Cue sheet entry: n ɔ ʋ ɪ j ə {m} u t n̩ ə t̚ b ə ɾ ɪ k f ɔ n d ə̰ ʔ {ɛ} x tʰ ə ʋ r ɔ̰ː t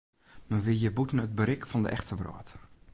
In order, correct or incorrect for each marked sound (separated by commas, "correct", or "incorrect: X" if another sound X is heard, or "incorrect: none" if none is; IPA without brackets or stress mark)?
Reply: incorrect: b, correct